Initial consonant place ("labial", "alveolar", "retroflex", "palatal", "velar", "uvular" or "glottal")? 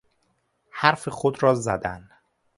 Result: glottal